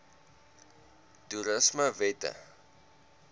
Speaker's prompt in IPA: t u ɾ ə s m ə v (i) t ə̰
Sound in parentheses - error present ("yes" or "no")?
yes